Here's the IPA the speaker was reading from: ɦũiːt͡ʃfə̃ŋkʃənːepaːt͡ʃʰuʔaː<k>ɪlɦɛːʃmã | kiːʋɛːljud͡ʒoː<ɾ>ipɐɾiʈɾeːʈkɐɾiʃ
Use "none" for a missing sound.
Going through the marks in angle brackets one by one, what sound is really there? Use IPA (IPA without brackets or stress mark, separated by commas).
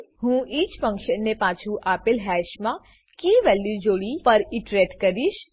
p, ɽ